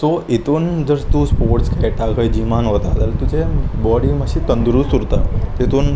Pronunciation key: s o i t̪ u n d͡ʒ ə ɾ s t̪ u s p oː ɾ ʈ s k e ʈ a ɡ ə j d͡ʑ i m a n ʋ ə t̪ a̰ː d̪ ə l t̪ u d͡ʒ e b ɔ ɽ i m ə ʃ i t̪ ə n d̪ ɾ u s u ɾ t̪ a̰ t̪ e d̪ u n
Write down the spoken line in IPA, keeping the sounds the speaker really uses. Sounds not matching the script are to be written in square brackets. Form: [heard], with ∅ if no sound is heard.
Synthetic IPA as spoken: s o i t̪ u n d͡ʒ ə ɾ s t̪ u s p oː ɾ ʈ s k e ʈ a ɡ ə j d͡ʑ i m a n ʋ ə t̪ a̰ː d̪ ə l t̪ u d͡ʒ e b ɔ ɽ i m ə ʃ i t̪ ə n d̪ ɾ u s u ɾ t̪ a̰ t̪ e [t̪] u n

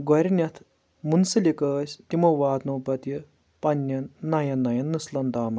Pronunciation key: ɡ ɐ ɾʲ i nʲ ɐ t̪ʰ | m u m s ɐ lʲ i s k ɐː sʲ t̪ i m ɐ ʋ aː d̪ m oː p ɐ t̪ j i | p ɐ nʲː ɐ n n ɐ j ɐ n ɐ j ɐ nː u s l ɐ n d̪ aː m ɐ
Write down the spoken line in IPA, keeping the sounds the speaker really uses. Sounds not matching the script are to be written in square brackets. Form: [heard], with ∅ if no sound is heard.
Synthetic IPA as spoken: ɡ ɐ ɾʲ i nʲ ɐ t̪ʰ | m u [n] s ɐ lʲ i [∅] k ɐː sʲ t̪ i m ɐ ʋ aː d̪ [n] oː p ɐ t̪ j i | p ɐ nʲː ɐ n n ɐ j ɐ n ɐ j ɐ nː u s l ɐ n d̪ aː m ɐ

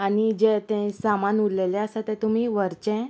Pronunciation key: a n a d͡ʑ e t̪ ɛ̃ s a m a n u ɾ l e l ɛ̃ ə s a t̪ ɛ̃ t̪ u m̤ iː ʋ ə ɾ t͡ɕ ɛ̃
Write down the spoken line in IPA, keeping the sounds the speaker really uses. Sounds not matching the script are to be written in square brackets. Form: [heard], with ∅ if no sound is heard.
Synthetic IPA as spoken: a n [i] d͡ʑ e t̪ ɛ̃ s a m a n u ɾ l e l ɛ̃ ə s a t̪ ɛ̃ t̪ u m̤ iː ʋ ə ɾ t͡ɕ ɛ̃

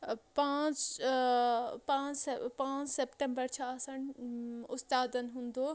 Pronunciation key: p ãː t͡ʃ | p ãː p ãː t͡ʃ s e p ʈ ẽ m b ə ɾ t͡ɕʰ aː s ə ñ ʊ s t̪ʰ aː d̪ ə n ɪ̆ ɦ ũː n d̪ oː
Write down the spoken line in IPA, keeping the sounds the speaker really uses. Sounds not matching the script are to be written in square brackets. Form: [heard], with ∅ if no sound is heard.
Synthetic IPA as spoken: p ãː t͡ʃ | p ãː p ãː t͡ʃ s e p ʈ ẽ m b ə ɾ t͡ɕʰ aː s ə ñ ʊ s [t̪] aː d̪ ə n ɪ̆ ɦ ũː n d̪ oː

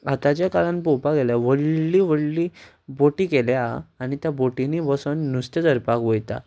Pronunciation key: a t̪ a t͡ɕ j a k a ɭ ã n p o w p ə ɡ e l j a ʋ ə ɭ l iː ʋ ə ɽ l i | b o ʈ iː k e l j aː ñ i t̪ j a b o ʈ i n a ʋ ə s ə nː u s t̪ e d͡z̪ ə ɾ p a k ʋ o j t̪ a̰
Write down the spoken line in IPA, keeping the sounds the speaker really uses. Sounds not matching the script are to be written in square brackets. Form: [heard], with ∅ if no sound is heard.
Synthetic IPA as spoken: a t̪ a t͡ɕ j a k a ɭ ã n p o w p [a] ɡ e l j a ʋ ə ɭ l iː ʋ ə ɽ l i | b o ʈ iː k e l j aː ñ i t̪ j a b o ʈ i n [i] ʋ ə s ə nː u s t̪ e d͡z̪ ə ɾ p a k ʋ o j t̪ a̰

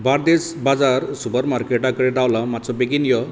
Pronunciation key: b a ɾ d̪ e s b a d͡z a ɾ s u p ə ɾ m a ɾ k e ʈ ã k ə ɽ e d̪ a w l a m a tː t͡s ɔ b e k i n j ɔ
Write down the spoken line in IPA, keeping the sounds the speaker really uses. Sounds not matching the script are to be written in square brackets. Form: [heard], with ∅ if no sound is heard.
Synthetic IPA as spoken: b a ɾ d̪ e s b a d͡z a ɾ s u p ə ɾ m a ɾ k e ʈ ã k ə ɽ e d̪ a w l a m a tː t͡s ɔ b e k i n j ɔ

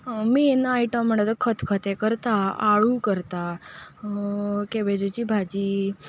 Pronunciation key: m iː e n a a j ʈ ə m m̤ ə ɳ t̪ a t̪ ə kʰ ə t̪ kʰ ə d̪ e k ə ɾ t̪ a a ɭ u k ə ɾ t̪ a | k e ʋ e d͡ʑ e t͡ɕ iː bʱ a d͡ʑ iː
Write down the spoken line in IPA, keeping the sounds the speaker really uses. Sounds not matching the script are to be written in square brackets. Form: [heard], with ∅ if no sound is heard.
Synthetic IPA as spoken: m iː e n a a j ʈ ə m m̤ ə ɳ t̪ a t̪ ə kʰ ə t̪ kʰ ə [t̪] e k ə ɾ t̪ a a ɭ u k ə ɾ t̪ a | k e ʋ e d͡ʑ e t͡ɕ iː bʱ a d͡ʑ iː

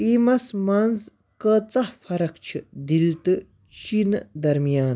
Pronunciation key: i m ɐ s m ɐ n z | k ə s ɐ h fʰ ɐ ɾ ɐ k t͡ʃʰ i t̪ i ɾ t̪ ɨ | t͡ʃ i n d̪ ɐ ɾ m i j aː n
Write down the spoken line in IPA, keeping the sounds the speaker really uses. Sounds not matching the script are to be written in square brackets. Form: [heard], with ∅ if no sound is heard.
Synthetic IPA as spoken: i m ɐ s m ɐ n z | k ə [t͡s] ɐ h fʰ ɐ ɾ ɐ k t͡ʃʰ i [d̪] i [l] t̪ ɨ | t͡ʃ i n d̪ ɐ ɾ m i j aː n

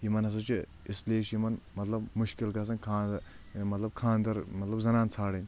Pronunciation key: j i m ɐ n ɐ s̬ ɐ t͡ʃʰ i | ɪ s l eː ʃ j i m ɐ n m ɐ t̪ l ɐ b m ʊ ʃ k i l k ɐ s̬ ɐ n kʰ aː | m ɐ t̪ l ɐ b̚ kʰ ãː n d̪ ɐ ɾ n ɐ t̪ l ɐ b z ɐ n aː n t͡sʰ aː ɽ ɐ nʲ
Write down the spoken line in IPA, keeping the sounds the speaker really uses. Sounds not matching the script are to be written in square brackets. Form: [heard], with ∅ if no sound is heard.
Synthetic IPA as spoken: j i m ɐ n ɐ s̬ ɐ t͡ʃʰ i | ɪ s l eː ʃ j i m ɐ n m ɐ t̪ l ɐ b m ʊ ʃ k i l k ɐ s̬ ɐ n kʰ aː | m ɐ t̪ l ɐ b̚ kʰ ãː n d̪ ɐ ɾ [m] ɐ t̪ l ɐ b z ɐ n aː n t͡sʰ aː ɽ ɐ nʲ

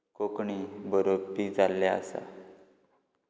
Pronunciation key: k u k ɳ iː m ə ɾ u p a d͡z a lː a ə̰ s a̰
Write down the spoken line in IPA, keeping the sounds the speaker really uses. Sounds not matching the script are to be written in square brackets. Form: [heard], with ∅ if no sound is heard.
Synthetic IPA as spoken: k [o] k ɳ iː [b] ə ɾ [o] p [i] d͡z a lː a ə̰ s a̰

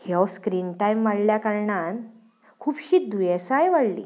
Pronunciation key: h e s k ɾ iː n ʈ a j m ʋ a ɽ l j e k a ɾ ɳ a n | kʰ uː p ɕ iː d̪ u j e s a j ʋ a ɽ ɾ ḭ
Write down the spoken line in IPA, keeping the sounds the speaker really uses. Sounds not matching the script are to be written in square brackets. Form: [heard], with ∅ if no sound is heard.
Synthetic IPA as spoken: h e s k ɾ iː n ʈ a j m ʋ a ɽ l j [a] k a ɾ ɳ a n | kʰ uː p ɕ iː d̪ u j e s a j ʋ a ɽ [l] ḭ

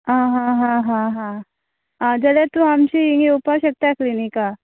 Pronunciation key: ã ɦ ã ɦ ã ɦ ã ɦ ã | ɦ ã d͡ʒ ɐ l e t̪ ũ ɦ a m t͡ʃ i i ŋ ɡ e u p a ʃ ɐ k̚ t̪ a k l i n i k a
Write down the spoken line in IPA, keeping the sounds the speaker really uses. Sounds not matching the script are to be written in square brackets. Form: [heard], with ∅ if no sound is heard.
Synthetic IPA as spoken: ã ɦ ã ɦ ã ɦ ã ɦ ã | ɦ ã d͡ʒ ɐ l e t̪ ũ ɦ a m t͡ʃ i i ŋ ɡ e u p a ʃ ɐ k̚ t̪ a k l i n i k a

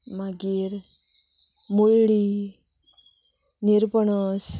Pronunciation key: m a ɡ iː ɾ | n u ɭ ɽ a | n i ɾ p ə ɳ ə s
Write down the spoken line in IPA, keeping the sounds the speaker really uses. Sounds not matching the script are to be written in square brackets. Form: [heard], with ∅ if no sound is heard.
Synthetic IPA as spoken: m a ɡ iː ɾ | [m] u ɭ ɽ [i] | n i ɾ p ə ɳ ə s

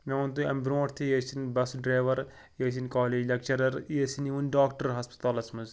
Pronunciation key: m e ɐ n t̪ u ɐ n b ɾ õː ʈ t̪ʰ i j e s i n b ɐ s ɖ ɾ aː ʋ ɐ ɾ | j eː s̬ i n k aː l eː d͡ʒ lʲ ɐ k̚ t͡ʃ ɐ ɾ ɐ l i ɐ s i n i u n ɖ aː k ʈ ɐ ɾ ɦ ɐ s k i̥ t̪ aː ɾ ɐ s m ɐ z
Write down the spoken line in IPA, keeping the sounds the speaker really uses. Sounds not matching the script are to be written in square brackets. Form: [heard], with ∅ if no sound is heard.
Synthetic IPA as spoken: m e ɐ n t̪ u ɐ [m] b ɾ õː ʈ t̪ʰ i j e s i n b ɐ s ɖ ɾ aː ʋ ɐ ɾ | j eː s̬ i n k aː l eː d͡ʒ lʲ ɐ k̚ t͡ʃ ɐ ɾ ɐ [ɾ] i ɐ s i n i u n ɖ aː k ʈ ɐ ɾ ɦ ɐ s [p] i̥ t̪ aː [l] ɐ s m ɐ z

